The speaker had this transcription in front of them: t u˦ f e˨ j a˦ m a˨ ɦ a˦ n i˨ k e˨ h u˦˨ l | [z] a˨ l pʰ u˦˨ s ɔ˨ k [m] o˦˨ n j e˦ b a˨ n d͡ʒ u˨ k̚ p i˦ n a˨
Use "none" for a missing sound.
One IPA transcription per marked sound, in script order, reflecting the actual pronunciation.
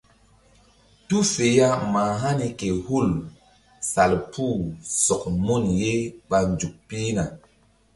s, m

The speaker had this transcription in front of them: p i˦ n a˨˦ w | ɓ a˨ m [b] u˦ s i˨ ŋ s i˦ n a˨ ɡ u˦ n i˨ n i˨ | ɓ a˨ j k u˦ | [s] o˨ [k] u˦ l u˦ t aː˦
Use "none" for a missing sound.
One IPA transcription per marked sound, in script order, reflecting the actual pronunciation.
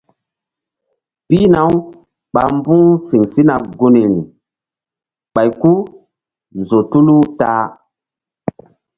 b, z, t

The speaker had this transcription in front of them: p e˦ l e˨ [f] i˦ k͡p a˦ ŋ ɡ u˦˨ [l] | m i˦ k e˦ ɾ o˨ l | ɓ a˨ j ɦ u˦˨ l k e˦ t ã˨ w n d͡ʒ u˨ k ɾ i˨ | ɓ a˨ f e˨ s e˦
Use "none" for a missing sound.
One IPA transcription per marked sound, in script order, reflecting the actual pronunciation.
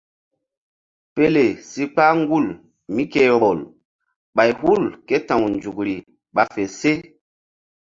s, l

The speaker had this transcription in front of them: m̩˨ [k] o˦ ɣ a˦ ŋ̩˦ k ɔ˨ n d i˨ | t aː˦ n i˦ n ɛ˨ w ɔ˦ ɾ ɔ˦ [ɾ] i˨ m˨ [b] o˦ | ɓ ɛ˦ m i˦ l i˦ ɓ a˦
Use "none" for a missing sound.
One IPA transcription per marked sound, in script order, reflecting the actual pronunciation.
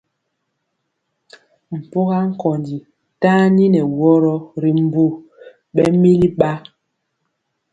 p, ɾ, b

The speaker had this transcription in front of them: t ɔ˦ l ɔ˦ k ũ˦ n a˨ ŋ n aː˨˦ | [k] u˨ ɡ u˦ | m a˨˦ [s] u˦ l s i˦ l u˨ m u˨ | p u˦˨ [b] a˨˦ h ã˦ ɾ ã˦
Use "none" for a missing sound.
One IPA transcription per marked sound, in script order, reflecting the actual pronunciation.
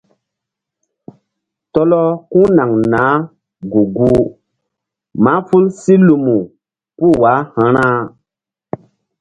ɡ, f, w

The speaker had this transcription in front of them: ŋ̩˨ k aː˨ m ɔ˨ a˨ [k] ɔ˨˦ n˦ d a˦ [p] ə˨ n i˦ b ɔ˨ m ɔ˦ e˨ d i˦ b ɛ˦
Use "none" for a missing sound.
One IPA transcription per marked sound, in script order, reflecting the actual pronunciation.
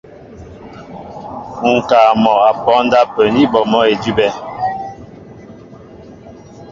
p, p

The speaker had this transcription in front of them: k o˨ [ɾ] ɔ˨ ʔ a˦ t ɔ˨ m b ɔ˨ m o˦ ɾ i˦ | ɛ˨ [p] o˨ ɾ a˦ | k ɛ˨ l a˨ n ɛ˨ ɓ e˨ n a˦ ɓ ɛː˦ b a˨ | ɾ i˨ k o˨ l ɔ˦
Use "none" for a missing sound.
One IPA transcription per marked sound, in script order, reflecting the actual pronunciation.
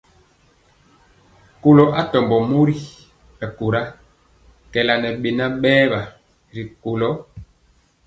l, k

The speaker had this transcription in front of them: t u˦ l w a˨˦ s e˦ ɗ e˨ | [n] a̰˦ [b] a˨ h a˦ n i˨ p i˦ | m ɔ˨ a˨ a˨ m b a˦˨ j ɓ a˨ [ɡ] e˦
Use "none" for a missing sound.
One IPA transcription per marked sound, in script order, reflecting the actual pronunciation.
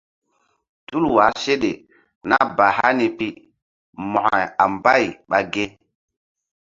n, b, ɡ

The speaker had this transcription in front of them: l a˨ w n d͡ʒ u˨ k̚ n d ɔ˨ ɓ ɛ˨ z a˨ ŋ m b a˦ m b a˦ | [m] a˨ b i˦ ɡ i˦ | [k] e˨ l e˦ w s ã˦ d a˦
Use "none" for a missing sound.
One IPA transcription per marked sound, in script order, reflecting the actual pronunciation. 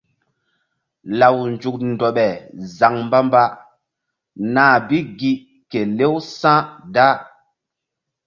n, k

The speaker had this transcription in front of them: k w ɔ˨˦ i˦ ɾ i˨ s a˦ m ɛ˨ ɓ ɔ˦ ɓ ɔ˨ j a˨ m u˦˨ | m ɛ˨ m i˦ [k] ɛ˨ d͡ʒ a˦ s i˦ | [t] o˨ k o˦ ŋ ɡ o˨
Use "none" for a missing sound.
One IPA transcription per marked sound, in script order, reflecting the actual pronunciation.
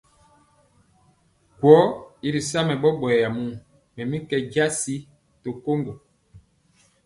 k, t

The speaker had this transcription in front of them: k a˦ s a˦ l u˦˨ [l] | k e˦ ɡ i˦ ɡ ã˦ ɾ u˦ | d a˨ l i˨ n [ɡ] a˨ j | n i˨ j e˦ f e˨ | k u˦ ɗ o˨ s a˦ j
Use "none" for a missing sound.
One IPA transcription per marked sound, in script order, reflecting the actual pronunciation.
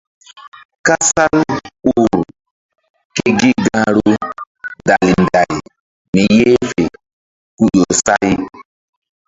ɾ, d

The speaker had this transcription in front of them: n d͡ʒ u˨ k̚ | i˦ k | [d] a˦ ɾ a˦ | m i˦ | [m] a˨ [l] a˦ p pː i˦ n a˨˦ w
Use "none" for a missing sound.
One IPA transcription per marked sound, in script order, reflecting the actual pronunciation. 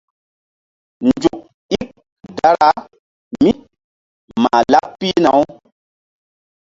d, m, l

